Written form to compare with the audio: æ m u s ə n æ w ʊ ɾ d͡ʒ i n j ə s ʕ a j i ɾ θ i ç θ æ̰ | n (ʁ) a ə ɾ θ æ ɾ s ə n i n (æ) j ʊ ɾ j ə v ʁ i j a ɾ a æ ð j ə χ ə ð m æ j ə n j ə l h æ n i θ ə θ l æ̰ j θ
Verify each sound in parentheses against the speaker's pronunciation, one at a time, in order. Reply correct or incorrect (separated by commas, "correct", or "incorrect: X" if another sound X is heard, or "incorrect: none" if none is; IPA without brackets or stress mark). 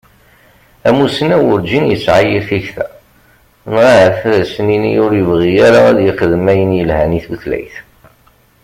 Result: correct, incorrect: i